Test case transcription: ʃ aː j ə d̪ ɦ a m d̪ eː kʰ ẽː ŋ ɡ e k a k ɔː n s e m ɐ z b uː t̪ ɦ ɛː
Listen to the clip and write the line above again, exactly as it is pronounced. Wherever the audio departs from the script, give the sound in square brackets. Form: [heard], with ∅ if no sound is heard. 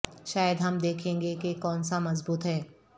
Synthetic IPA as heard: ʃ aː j ə d̪ ɦ [ɐ] m d̪ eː kʰ ẽː ŋ ɡ e k [e] k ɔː n s [a] m ɐ z b uː t̪ ɦ ɛː